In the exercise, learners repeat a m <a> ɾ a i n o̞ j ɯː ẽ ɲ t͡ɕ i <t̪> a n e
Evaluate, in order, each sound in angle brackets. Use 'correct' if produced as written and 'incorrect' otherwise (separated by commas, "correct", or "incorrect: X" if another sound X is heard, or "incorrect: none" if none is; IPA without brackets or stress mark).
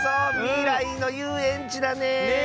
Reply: incorrect: i, incorrect: d̪